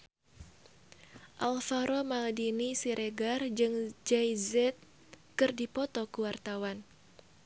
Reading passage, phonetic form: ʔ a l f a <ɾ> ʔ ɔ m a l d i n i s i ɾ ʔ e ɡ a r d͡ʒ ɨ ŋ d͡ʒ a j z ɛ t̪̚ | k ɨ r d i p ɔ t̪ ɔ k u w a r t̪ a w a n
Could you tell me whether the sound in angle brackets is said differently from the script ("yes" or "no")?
no